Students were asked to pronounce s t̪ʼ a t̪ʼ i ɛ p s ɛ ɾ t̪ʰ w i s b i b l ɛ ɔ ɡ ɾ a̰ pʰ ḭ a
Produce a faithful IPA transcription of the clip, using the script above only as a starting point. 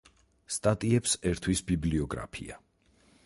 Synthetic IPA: s t̪ʼ a t̪ʼ i ɛ p s ɛ ɾ t̪ʰ w i s b i b l i ɔ ɡ ɾ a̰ pʰ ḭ a